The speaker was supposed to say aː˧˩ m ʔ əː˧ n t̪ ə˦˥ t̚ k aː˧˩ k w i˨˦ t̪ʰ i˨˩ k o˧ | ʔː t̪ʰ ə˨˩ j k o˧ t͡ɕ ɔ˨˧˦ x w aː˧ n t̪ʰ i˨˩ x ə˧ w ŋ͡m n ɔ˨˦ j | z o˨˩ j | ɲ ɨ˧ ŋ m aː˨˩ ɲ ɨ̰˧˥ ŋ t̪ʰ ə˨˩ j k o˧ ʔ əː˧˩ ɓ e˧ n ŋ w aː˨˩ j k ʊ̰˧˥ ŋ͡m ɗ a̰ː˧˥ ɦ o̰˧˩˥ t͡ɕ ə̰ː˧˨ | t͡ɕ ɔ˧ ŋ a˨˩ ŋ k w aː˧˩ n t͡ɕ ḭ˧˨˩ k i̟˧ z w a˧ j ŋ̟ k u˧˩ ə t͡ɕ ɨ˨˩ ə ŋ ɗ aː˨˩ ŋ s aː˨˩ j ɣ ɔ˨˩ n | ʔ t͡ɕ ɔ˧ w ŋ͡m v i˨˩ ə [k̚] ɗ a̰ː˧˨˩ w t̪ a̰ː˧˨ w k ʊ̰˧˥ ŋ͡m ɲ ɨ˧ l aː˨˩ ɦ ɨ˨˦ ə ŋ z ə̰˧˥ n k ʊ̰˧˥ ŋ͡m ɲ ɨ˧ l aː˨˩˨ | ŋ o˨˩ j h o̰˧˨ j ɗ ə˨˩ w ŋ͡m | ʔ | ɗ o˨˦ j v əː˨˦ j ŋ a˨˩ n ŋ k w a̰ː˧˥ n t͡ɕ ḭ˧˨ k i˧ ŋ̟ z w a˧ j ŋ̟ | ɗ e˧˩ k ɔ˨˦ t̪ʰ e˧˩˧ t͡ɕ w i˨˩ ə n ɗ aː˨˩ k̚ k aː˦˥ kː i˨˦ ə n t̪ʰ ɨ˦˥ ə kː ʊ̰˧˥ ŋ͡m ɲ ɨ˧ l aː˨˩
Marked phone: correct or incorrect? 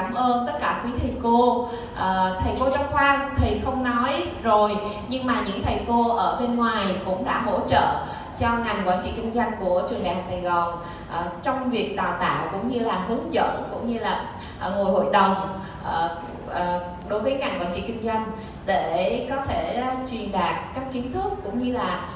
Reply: correct